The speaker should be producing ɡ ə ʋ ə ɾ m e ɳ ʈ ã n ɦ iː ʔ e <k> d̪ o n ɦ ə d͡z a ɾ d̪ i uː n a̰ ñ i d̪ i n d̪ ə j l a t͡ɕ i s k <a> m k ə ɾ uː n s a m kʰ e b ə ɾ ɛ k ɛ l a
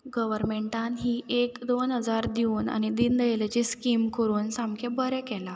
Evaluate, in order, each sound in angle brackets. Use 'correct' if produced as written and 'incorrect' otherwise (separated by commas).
correct, incorrect